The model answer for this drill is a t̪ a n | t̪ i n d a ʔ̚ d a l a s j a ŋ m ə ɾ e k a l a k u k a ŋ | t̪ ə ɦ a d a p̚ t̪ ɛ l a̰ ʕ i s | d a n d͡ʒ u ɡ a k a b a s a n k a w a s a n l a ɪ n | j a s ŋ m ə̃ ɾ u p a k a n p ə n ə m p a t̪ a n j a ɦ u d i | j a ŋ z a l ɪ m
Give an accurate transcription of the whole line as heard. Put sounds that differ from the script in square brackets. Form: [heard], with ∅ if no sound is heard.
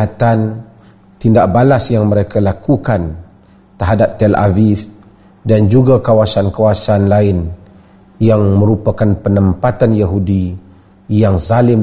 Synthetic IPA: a t̪ a n | t̪ i n d a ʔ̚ [b] a l a s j a ŋ m ə ɾ e k a l a k u k a [n] | t̪ ə ɦ a d a p̚ t̪ ɛ l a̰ [v] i [f] | d a n d͡ʒ u ɡ a k a [w] a s a n k a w a s a n l a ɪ n | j a [∅] ŋ m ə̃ ɾ u p a k a n p ə n ə m p a t̪ a n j a ɦ u d i | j a ŋ z a l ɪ m